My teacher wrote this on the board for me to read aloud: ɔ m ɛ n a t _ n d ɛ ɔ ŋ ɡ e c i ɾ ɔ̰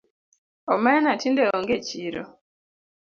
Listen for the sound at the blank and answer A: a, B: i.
B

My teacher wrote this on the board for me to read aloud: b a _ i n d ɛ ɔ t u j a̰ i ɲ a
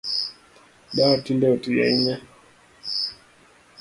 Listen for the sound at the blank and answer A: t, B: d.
A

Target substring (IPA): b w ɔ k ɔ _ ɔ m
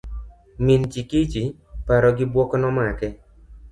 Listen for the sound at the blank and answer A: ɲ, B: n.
B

